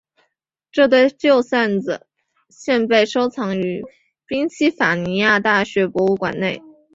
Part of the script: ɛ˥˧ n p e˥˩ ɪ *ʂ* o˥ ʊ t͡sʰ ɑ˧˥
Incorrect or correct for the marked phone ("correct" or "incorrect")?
correct